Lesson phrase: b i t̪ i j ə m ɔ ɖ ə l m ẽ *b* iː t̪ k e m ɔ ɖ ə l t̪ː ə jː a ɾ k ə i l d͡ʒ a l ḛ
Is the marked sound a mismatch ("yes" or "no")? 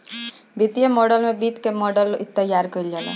no